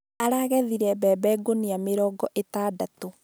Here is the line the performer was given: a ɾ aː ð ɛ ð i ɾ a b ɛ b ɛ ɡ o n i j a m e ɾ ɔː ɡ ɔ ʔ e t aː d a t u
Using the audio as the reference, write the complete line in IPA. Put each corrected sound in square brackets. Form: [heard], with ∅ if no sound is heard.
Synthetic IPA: a ɾ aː [ɣ] ɛ ð i ɾ [ɛ] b ɛ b ɛ ɡ o n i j a m e ɾ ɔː ɡ ɔ ʔ e t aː d a t [o]